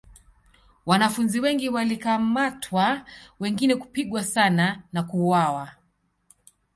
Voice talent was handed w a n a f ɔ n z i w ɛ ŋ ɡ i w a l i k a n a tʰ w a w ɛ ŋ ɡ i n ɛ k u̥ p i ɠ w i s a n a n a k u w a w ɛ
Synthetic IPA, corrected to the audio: w a n a f u n z i w ɛ ŋ ɡ i w a l i k a m a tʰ w a w ɛ ŋ ɡ i n ɛ k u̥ p i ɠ w a s a n a n a k u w a w a